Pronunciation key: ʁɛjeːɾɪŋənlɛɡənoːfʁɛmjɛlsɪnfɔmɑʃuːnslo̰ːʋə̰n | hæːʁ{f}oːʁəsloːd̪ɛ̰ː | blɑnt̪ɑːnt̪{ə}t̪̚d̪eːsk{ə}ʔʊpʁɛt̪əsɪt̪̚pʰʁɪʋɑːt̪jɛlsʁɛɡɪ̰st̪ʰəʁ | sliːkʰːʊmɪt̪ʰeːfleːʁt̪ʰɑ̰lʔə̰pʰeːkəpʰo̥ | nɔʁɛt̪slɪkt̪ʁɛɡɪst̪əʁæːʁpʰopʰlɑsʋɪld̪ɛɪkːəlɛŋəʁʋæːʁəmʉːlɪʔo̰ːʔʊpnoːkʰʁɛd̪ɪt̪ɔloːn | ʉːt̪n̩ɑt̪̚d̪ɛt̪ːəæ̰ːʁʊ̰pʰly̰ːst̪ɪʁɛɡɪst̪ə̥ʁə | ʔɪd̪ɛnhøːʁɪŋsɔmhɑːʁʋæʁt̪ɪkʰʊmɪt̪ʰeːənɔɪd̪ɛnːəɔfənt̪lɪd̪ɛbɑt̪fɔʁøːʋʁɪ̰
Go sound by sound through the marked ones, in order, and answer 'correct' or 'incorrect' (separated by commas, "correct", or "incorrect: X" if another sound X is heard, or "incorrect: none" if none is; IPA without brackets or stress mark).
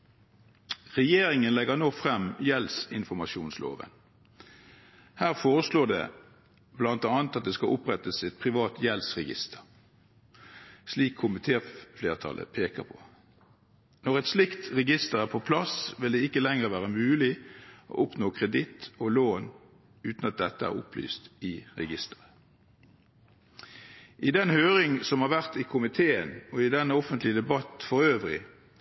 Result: correct, incorrect: ɑ, incorrect: ɑ